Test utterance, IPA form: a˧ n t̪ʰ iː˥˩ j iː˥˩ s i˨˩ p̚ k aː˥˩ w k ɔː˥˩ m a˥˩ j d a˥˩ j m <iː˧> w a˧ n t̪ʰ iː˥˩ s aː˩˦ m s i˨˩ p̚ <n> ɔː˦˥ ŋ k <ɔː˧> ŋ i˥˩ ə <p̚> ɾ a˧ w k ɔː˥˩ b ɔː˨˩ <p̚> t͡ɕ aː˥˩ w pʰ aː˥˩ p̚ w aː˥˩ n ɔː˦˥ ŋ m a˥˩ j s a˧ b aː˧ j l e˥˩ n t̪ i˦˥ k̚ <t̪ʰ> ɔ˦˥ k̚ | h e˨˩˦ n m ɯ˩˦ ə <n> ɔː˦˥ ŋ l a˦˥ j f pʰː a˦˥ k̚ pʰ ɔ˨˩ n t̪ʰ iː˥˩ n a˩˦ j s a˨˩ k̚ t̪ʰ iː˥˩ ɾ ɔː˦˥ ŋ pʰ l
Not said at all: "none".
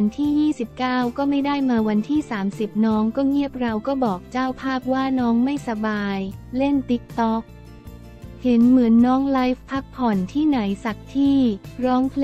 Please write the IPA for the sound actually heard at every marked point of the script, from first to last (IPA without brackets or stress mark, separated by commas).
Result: aː˧, n, ɔː˥˩, p̚, k̚, t̪, nː